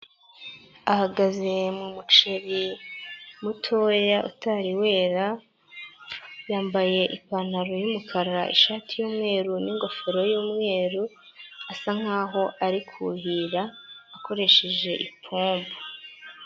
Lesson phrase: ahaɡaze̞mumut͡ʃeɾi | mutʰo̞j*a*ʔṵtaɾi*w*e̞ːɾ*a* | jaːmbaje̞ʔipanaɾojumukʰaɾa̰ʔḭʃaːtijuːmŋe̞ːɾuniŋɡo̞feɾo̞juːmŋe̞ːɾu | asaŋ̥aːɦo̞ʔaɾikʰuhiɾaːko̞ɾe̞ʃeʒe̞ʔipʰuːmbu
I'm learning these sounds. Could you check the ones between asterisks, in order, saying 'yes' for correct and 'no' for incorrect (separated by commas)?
yes, yes, yes